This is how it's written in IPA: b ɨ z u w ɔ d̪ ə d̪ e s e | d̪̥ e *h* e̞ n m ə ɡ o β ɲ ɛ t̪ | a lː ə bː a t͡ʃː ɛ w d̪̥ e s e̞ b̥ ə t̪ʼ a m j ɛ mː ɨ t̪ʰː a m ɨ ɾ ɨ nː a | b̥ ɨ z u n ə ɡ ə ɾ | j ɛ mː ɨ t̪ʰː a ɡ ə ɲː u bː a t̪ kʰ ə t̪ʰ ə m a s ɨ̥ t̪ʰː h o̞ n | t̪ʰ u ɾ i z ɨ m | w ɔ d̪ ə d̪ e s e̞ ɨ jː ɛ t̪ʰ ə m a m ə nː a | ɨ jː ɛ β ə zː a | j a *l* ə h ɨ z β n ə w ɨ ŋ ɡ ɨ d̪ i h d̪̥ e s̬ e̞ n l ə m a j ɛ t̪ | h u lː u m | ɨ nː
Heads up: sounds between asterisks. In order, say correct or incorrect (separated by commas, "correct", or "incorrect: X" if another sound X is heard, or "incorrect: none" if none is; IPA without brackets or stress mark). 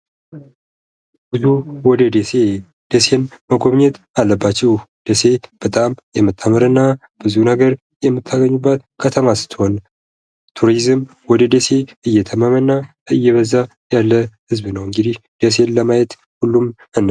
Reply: incorrect: s, incorrect: lː